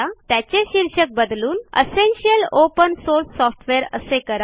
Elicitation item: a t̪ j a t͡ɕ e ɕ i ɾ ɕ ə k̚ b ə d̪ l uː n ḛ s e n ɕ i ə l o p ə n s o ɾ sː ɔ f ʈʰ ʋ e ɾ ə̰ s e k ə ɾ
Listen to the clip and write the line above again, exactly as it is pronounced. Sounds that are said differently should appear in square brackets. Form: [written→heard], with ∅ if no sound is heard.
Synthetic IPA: a t̪ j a t͡ɕ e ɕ i ɾ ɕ ə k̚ b ə d̪ l uː n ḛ s e n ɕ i ə l o p ə n s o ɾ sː ɔ f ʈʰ ʋ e ɾ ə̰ s e k ə ɾ